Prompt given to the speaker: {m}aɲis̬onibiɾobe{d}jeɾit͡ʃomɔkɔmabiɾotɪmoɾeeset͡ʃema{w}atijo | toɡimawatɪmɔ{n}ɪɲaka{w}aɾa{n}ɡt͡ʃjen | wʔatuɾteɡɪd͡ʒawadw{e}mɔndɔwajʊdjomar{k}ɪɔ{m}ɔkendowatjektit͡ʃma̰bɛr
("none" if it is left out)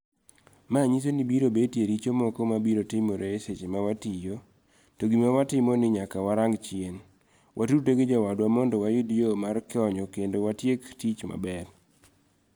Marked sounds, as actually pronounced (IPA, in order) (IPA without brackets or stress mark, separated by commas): m, t, w, n, w, ŋ, a, k, ɲ